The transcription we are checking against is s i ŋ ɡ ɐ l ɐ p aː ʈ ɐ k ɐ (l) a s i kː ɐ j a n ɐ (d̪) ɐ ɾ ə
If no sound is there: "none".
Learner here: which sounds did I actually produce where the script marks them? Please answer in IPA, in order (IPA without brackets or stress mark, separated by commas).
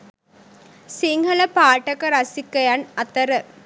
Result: ɾ, t̪